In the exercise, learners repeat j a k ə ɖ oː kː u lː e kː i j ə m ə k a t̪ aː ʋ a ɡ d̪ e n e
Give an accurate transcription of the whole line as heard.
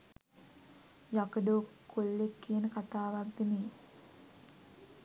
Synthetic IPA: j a k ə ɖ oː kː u lː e kː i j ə n ə k a t̪ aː ʋ a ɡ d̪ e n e